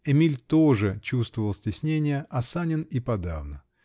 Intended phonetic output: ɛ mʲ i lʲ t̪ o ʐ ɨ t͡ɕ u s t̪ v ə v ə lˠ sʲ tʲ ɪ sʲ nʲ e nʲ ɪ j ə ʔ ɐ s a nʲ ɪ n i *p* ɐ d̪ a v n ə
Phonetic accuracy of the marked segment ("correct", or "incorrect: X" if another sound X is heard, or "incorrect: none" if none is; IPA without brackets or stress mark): correct